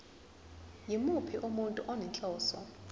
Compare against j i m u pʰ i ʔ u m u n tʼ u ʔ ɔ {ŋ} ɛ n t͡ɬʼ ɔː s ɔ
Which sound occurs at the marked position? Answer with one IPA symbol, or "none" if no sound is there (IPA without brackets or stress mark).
n